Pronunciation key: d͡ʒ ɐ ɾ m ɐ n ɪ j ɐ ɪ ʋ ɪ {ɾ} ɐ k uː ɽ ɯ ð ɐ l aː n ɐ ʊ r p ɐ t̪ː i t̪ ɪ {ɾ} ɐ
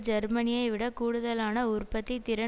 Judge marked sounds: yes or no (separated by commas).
no, yes